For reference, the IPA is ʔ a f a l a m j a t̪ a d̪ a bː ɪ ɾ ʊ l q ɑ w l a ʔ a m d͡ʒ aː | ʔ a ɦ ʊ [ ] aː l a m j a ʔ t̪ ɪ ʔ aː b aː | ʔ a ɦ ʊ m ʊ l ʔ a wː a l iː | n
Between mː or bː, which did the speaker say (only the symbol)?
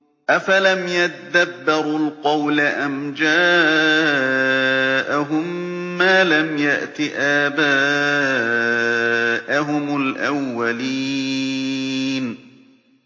mː